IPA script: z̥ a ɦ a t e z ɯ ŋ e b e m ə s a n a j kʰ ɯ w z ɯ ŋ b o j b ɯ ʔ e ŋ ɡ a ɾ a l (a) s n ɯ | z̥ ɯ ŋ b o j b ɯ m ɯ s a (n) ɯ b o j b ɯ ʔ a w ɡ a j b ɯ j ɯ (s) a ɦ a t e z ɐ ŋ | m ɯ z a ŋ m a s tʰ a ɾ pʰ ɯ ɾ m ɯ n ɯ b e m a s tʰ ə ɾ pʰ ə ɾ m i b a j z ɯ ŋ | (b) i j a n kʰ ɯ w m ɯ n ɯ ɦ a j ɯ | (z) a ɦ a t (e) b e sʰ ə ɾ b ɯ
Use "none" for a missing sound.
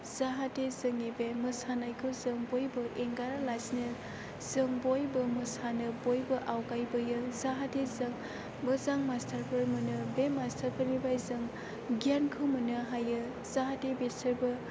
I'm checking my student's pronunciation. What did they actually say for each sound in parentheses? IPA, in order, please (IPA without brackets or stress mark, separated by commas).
a, n, z, ɡ, z, e